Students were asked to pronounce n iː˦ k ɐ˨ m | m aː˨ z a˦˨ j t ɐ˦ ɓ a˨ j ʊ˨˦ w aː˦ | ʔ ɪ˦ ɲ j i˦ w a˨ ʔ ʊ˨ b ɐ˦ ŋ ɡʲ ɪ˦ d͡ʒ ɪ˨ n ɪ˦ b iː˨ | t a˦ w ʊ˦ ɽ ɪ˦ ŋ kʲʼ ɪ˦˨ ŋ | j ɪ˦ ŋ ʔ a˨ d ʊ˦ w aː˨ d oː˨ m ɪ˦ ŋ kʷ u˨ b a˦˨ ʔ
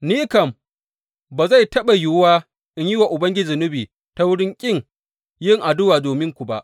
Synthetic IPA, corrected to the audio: n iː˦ k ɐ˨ m | b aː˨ z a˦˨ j t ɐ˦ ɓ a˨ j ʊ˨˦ w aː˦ | ʔ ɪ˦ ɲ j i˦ w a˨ ʔ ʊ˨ b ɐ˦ ŋ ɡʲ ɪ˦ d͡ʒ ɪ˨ n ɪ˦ b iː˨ | t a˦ w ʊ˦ ɽ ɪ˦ ŋ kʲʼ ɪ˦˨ ŋ | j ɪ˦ ŋ ʔ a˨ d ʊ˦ w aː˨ d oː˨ m ɪ˦ ŋ kʷ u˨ b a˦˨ ʔ

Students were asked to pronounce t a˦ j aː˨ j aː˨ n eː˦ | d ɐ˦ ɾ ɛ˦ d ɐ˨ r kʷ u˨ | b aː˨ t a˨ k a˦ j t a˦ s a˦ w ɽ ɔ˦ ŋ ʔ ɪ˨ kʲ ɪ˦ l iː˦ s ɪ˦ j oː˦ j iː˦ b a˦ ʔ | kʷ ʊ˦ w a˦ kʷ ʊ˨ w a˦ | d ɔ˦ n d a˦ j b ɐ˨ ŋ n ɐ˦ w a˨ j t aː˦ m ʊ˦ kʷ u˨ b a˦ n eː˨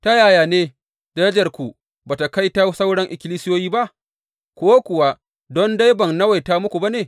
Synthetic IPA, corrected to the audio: t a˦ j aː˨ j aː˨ n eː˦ | d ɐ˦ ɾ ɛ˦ d͡ʒ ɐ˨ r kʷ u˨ | b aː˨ t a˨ k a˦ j t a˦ s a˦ w ɽ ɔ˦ ŋ ʔ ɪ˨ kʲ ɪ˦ l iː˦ s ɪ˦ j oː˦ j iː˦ b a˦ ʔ | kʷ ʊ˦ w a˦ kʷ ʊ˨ w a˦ | d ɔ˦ n d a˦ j b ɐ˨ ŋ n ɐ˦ w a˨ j t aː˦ m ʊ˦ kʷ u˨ b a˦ n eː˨

